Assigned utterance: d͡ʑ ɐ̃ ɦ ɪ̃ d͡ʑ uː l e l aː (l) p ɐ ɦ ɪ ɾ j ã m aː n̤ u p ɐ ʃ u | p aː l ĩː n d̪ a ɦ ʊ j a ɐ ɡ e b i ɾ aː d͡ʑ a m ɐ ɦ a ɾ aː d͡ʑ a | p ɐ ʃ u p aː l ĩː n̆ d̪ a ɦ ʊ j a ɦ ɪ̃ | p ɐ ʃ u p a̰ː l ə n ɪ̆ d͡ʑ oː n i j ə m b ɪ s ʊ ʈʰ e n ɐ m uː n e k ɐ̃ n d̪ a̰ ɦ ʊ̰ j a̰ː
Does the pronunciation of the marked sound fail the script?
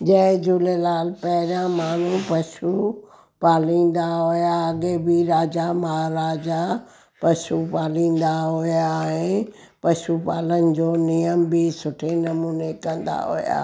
no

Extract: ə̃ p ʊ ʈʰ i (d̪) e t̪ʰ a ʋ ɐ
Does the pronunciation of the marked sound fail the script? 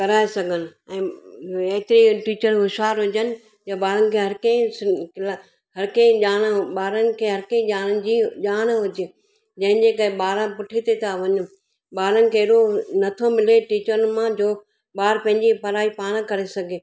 yes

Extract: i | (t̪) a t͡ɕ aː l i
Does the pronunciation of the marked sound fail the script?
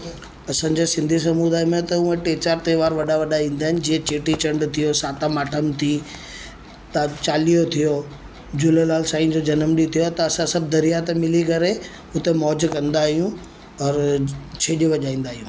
no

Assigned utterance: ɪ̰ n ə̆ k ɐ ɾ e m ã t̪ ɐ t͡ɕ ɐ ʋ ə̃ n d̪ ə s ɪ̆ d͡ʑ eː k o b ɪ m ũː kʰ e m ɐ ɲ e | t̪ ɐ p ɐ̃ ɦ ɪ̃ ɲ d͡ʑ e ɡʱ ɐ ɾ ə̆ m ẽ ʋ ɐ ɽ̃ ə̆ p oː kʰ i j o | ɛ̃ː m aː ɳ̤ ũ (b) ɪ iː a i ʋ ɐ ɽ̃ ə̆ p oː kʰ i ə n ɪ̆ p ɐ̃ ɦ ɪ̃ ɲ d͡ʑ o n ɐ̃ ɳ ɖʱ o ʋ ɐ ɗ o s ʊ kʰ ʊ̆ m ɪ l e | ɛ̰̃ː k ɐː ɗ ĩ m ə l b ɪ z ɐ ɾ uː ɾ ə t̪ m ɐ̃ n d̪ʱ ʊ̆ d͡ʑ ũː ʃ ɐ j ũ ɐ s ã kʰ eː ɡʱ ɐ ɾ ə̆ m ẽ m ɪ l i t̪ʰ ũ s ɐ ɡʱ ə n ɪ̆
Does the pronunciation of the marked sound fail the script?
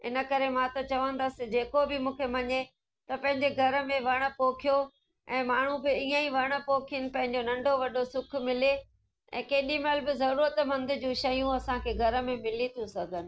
no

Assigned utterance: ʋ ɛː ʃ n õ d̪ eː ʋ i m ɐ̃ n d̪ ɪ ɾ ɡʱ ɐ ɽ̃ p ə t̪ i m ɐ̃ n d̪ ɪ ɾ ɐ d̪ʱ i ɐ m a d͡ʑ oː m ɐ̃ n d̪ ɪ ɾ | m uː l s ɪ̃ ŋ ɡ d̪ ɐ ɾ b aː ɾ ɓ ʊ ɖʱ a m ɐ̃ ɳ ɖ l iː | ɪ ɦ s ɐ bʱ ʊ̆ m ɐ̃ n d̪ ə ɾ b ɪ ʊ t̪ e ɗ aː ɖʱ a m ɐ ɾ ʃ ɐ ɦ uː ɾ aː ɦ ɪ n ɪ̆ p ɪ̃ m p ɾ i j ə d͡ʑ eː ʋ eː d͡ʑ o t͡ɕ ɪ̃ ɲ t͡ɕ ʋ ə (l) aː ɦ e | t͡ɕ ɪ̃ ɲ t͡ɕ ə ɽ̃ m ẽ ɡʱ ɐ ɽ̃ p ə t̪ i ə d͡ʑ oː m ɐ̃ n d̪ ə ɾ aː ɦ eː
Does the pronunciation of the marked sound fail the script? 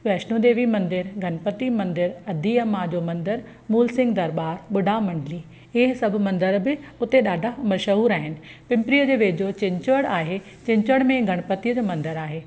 yes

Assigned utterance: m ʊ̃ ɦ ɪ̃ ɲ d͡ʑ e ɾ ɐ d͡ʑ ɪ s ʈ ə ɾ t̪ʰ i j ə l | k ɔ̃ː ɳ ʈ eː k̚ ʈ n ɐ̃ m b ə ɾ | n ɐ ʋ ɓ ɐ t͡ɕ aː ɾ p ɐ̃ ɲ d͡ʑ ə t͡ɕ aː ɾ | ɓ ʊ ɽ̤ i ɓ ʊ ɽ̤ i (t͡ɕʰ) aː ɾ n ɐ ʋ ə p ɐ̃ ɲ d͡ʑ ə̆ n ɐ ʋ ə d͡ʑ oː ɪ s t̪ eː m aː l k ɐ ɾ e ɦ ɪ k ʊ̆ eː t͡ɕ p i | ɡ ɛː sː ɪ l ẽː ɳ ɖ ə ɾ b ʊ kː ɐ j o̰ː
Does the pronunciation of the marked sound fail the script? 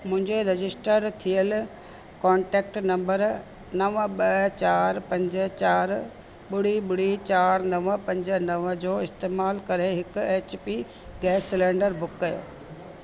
yes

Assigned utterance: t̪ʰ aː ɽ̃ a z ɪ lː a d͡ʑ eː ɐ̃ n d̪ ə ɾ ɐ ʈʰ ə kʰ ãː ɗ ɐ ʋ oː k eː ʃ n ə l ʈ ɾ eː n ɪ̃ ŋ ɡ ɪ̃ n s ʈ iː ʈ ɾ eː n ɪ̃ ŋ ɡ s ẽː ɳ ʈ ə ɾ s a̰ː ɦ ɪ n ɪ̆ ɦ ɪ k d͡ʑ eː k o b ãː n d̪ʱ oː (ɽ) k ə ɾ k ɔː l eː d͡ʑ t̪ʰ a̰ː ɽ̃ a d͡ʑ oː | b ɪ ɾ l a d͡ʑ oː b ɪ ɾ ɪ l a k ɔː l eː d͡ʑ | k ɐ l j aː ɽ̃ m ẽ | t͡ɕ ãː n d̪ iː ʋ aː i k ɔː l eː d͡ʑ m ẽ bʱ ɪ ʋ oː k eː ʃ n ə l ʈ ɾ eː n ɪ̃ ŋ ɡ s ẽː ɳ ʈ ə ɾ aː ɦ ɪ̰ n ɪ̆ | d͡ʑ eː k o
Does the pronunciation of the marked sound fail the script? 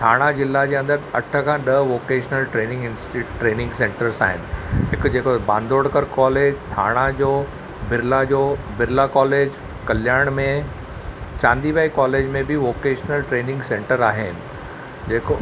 no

